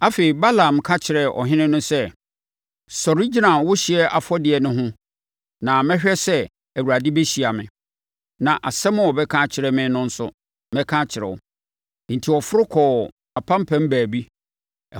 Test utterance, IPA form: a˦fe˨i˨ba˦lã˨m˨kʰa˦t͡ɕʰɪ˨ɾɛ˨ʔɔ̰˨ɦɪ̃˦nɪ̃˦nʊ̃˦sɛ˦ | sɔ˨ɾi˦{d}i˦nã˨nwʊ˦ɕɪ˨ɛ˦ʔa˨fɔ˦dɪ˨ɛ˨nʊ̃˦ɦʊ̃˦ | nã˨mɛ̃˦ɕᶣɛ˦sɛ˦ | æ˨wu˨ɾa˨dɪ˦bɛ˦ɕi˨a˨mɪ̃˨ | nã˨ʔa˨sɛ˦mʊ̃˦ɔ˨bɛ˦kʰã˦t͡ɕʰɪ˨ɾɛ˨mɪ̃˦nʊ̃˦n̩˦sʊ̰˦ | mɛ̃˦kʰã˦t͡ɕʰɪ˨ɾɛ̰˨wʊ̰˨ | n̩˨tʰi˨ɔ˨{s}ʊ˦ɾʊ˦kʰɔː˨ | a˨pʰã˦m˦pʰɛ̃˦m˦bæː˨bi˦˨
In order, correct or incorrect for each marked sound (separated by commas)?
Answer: incorrect, incorrect